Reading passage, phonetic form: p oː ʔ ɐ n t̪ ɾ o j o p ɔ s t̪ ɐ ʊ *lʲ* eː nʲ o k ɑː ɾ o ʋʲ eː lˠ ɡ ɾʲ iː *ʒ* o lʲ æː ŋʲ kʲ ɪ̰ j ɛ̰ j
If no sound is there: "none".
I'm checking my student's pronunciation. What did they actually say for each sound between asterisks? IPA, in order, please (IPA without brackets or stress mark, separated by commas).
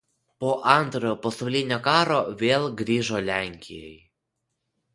lʲ, ʒ